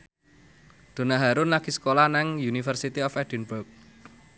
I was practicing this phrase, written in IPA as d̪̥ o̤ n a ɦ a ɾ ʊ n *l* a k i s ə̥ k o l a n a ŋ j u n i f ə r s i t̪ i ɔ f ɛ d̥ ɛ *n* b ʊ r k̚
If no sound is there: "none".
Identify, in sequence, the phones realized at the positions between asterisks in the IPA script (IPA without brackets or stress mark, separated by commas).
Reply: l, n